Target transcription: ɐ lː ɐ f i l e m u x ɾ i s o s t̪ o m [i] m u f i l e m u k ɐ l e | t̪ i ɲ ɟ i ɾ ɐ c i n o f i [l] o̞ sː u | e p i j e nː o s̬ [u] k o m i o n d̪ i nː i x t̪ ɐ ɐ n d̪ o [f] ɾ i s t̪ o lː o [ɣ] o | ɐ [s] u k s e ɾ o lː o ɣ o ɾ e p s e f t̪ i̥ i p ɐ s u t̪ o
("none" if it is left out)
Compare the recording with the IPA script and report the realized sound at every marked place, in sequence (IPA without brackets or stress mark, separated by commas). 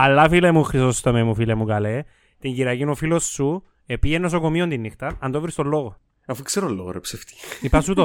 e, l, o, v, ɣ, f